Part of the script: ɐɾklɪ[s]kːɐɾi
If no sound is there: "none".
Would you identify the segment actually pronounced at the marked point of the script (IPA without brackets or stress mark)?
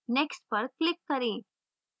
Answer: none